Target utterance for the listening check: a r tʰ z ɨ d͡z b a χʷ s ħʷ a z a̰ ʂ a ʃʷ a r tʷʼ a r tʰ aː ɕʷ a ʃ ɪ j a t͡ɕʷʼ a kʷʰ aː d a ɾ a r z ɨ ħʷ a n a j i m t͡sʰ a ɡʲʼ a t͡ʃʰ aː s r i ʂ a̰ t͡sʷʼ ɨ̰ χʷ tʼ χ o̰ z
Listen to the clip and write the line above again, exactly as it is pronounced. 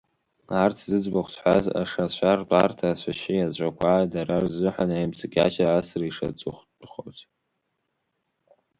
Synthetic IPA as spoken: a r tʰ z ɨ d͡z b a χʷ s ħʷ a z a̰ ʂ a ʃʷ a r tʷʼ a r tʰ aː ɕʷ a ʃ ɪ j a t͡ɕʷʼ a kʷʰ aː d a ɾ a r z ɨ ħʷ a n a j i m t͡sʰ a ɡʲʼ a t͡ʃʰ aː s r i ʂ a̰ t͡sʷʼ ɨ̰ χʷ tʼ χ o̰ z